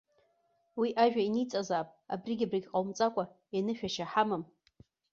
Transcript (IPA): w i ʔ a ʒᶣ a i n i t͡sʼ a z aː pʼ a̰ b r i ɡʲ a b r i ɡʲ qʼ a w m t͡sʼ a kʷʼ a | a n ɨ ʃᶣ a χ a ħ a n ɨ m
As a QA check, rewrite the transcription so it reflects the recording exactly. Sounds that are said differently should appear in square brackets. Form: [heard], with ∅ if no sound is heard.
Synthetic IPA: w i ʔ a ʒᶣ a i n i t͡sʼ a z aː pʼ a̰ b r i ɡʲ a b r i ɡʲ qʼ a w m t͡sʼ a kʷʼ a | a n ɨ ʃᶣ a [ʃ] a ħ a [m] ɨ m